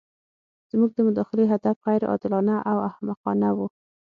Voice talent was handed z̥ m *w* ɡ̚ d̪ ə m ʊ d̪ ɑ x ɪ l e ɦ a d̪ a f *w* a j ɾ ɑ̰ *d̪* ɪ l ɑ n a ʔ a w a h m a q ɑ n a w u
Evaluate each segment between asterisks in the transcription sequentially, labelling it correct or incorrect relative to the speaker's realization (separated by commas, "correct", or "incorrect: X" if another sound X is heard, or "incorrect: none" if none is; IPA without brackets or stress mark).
incorrect: u, incorrect: ɣ, correct